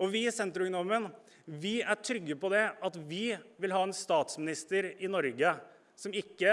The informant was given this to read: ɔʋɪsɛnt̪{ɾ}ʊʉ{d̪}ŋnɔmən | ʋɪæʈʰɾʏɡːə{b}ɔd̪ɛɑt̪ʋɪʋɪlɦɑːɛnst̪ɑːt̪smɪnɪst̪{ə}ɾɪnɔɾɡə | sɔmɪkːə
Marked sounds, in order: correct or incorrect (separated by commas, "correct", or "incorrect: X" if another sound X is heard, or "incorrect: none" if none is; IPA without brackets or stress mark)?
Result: correct, incorrect: none, incorrect: p, correct